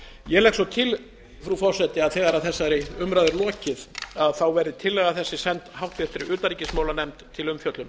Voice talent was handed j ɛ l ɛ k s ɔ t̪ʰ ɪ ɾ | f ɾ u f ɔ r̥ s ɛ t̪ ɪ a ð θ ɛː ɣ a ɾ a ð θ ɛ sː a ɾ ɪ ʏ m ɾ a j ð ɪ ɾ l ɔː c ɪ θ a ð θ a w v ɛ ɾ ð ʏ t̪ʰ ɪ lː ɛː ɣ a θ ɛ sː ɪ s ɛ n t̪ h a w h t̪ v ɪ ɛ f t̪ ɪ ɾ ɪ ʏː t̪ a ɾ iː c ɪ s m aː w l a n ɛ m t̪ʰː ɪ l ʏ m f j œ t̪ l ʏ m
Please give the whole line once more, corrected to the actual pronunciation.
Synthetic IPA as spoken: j ɛ l ɛ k s ɔ t̪ʰ ɪ l | f ɾ u f ɔ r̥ s ɛ t̪ ɪ a ð θ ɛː ɣ a ɾ a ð θ ɛ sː a ɾ ɪ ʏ m ɾ a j ð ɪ ɾ l ɔː c ɪ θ a ð θ a w v ɛ ɾ ð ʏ t̪ʰ ɪ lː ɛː ɣ a θ ɛ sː ɪ s ɛ n t̪ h a w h t̪ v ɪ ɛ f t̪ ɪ ɾ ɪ ʏː t̪ a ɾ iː c ɪ s m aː w l a n ɛ m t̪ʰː ɪ l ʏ m f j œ t̪ l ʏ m